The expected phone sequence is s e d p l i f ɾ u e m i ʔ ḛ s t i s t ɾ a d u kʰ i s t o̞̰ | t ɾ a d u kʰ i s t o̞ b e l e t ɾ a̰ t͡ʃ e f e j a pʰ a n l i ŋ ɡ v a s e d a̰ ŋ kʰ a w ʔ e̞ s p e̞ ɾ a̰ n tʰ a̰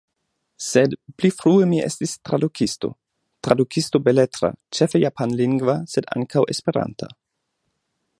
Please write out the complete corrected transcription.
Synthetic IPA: s e d p l i f ɾ u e m i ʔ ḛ s t i s t ɾ a d u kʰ i s t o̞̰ | t ɾ a d u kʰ i s t o̞ b e l e t ɾ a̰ t͡ʃ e f e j a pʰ a n l i ŋ ɡ v a s e d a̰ ŋ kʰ a w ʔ e̞ s p e̞ ɾ a̰ n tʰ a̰